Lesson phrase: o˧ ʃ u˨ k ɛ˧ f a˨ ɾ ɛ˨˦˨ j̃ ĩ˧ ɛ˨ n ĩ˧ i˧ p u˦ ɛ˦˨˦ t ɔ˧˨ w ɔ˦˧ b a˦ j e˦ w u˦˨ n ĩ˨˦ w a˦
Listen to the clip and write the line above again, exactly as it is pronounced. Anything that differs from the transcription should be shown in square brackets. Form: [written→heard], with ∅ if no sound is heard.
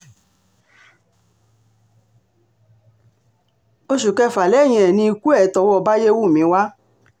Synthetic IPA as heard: o˧ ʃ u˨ k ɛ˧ f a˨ [ɾ→l] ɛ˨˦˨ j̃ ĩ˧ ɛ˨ n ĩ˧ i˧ [p→k] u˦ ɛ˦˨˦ t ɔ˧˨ w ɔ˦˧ b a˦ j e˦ w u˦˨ [n→m] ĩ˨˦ w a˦